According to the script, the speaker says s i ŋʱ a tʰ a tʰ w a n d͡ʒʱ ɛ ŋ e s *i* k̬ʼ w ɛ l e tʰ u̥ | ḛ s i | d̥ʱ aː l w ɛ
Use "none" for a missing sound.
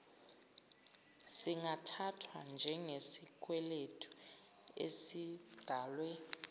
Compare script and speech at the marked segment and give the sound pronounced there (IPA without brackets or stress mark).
i